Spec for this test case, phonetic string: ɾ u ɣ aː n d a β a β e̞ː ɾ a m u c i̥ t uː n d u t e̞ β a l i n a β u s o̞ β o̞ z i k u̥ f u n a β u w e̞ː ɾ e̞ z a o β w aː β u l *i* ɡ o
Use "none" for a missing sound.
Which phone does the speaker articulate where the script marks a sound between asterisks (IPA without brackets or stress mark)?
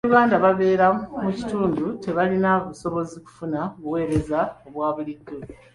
i